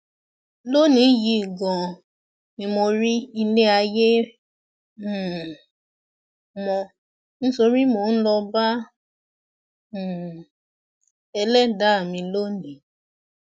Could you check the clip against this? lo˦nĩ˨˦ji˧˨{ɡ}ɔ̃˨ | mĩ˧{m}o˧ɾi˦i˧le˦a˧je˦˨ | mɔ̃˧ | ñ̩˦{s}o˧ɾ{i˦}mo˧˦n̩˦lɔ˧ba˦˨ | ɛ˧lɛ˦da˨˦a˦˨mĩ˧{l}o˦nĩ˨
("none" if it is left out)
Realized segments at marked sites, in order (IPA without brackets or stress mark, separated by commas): ɡ, m, s, i˦, l